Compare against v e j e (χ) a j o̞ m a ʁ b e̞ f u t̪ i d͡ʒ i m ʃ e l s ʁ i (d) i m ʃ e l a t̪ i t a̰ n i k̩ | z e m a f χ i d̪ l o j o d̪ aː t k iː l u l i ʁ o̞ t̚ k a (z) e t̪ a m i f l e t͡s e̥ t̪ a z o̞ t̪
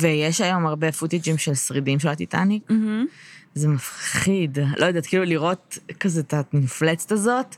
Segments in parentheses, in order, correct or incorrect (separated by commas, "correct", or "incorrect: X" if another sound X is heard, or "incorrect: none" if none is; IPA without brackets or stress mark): incorrect: ʃ, correct, correct